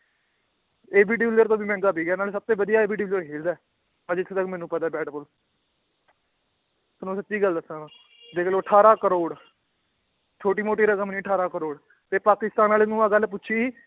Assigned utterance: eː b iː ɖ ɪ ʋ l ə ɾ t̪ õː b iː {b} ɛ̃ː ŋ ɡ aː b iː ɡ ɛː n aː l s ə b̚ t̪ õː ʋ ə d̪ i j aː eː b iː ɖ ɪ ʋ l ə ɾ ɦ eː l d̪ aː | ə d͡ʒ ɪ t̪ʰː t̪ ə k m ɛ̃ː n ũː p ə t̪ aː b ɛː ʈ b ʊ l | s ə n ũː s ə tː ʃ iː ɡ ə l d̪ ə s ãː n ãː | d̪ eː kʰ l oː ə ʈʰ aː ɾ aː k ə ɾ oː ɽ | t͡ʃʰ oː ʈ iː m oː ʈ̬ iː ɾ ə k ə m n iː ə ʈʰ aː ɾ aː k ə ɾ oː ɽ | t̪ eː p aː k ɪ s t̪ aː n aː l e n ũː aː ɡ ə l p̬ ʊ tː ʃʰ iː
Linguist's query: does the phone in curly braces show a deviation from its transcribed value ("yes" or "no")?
yes